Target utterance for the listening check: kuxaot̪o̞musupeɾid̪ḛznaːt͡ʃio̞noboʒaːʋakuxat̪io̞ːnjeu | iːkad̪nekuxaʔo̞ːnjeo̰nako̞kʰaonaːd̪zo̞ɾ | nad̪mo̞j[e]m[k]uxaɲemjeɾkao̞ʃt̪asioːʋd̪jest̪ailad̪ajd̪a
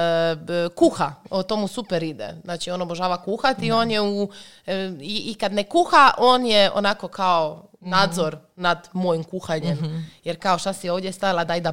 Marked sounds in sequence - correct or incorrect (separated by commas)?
incorrect, correct